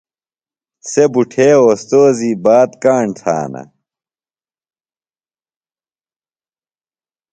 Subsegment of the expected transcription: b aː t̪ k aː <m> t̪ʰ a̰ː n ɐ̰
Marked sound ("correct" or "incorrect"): incorrect